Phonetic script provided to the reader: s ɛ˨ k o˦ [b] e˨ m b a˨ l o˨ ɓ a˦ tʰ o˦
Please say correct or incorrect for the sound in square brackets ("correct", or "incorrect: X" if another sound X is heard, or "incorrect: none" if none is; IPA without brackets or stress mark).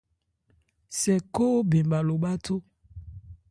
correct